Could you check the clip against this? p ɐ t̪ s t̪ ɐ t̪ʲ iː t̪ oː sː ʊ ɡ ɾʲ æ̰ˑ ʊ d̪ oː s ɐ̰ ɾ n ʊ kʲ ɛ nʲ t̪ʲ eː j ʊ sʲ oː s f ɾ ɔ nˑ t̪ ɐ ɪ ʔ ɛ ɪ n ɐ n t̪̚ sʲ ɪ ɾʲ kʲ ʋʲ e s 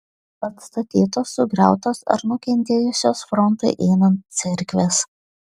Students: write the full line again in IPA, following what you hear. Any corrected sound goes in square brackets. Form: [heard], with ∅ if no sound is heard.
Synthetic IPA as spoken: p ɐ t̪ s t̪ ɐ t̪ʲ iː t̪ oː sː ʊ ɡ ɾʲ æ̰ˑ ʊ [t̪] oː s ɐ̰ ɾ n ʊ kʲ ɛ nʲ t̪ʲ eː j ʊ sʲ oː s f ɾ ɔ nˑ t̪ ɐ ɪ ʔ ɛ ɪ n ɐ n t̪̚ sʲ ɪ ɾʲ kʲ ʋʲ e s